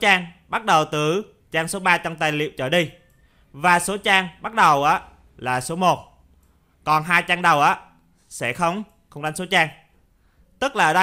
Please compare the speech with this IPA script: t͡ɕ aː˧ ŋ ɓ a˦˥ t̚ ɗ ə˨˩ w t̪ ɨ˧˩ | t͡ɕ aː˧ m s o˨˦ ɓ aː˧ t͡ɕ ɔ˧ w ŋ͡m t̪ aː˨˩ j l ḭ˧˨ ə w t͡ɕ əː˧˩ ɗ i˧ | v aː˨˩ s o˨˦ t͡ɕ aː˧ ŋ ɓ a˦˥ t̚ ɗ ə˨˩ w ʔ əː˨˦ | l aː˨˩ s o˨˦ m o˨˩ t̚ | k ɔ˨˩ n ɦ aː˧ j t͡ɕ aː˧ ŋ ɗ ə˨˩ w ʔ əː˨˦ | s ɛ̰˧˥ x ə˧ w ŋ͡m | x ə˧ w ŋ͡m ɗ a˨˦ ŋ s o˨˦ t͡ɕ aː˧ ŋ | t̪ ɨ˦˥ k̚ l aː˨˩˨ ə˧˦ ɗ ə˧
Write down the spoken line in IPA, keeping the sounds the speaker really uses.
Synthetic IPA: t͡ɕ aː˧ ŋ ɓ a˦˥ t̚ ɗ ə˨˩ w t̪ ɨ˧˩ | t͡ɕ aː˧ ŋ s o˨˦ ɓ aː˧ t͡ɕ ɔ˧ w ŋ͡m t̪ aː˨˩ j l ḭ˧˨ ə w t͡ɕ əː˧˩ ɗ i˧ | v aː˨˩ s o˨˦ t͡ɕ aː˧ ŋ ɓ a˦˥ t̚ ɗ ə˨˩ w ʔ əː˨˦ | l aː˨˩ s o˨˦ m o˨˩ t̚ | k ɔ˨˩ n ɦ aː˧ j t͡ɕ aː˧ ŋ ɗ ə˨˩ w ʔ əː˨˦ | s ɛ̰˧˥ x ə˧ w ŋ͡m | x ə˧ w ŋ͡m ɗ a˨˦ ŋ s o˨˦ t͡ɕ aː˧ ŋ | t̪ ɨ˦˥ k̚ l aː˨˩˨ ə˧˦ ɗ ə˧

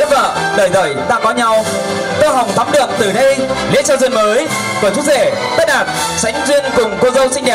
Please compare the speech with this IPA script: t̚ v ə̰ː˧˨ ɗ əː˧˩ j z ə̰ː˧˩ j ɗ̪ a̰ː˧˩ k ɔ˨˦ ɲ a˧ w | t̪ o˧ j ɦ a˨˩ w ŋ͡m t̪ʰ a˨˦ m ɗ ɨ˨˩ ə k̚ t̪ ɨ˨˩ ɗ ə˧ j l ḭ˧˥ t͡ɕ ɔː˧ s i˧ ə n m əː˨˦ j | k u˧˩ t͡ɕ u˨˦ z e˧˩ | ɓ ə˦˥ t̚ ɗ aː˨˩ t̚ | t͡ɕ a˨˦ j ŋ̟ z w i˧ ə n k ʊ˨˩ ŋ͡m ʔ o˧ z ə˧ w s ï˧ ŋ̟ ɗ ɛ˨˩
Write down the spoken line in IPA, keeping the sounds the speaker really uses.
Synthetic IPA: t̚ v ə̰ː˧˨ ɗ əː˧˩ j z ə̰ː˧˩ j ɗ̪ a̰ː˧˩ k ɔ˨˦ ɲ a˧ w | t̪ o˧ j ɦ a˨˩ w ŋ͡m t̪ʰ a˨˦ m ɗ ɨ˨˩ ə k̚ t̪ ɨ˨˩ ɗ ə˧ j l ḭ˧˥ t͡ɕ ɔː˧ z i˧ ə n m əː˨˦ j | k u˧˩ t͡ɕ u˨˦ z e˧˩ | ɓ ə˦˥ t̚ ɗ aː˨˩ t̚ | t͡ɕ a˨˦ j ŋ̟ z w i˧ ə n k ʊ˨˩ ŋ͡m k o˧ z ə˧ w s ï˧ ŋ̟ ɗ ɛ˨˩

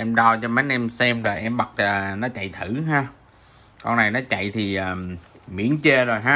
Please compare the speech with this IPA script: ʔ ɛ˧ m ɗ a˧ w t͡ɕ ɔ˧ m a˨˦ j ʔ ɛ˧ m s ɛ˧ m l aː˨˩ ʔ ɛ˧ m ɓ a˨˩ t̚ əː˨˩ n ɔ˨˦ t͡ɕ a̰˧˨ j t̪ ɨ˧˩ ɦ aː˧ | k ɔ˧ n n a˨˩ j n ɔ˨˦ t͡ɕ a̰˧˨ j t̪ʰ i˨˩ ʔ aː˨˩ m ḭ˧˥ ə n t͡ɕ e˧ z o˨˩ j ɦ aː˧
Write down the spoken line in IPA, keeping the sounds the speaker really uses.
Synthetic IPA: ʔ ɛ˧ m ɗ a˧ w t͡ɕ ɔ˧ m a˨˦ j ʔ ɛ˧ m s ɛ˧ m l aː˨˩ ʔ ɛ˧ m ɓ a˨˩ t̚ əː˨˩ n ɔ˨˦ t͡ɕ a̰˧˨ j t̪ʰ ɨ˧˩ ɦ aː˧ | k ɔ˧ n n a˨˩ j n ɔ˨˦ t͡ɕ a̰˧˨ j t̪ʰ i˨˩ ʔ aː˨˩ m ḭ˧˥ ə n t͡ɕ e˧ z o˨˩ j ɦ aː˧

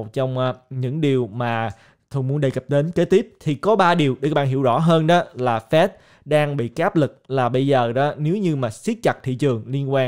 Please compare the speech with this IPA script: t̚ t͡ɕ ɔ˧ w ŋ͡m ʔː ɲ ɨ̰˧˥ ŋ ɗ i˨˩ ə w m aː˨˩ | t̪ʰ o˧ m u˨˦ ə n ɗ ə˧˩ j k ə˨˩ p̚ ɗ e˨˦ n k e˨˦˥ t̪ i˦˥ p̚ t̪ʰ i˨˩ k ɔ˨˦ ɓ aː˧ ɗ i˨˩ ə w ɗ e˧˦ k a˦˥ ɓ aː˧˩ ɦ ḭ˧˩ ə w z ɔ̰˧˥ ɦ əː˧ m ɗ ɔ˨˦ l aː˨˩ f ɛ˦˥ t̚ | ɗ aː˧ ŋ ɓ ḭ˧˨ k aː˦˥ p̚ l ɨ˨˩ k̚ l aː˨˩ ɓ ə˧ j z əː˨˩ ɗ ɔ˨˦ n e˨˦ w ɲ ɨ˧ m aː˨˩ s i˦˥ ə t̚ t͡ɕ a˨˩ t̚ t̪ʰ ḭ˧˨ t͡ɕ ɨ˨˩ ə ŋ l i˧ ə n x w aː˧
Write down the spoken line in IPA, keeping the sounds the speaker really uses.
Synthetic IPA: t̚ t͡ɕ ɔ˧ w ŋ͡m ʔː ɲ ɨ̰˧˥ ŋ ɗ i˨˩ ə w m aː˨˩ | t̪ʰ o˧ m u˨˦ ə n ɗ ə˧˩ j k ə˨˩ p̚ ɗ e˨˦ n k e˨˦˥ t̪ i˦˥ p̚ t̪ʰ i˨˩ k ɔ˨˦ ɓ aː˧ ɗ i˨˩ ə w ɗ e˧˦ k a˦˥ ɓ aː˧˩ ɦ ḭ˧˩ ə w z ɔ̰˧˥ ɦ əː˧ n ɗ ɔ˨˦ l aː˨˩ f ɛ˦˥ t̚ | ɗ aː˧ ŋ ɓ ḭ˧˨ k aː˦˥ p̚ l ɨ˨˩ k̚ l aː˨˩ ɓ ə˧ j z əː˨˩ ɗ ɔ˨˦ n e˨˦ w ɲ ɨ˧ m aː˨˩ s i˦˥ ə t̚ t͡ɕ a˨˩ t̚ t̪ʰ ḭ˧˨ t͡ɕ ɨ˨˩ ə ŋ l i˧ ə n k w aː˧

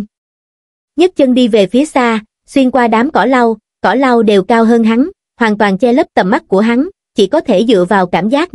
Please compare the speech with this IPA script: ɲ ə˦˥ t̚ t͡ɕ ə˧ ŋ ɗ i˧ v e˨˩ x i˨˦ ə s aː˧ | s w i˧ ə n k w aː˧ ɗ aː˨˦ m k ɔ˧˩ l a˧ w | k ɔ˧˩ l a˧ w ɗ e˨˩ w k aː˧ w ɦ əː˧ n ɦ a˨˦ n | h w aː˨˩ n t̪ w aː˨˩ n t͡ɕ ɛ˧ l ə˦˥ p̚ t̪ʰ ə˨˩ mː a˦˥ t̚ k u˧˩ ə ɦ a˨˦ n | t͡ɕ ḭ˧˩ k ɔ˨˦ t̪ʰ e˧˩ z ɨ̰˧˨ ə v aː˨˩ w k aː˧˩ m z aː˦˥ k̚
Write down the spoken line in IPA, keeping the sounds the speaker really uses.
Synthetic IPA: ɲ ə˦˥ t̚ t͡ɕ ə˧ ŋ ɗ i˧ v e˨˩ f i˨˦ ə s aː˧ | s w i˧ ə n k w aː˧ ɗ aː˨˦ m k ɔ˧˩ l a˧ w | k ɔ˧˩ l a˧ w ɗ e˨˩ w k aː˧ w ɦ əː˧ n ɦ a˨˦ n | h w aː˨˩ n t̪ w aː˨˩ n t͡ɕ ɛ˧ l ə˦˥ p̚ t̪ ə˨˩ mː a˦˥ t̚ k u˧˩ ə ɦ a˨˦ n | t͡ɕ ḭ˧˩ k ɔ˨˦ t̪ʰ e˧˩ z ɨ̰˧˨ ə v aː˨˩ w k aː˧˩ m z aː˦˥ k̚

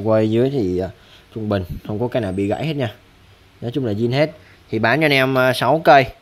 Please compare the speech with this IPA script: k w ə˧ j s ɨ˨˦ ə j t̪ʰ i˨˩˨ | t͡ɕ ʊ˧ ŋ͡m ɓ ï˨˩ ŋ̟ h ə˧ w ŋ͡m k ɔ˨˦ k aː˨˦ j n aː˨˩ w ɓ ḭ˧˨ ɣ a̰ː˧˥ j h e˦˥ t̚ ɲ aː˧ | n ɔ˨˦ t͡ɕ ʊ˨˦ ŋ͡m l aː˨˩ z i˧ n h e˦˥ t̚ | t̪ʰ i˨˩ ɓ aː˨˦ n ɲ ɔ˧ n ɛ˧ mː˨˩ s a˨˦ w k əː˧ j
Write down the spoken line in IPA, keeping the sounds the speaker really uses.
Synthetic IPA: k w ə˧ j z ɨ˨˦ ə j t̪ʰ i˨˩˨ | t͡ɕ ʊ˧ ŋ͡m ɓ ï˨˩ ŋ̟ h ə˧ w ŋ͡m k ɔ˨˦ k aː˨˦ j n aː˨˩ w ɓ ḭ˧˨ ɣ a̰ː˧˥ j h e˦˥ t̚ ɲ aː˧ | n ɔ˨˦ t͡ɕ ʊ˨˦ ŋ͡m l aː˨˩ z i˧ n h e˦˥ t̚ | t̪ʰ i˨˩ ɓ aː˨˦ n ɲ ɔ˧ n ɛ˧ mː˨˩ s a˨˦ w k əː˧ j

